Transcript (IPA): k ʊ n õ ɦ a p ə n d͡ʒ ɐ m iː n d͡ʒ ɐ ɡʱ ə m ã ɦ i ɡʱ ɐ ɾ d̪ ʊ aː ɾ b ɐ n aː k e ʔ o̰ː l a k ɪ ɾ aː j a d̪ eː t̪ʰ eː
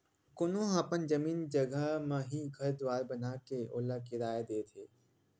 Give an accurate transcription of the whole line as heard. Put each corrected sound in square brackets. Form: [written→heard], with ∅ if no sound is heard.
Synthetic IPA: k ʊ n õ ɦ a p ə n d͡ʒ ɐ m iː n d͡ʒ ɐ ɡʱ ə m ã ɦ i ɡʱ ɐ ɾ d̪ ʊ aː ɾ b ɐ n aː k e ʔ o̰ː l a k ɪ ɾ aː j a d̪ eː t̪ʰ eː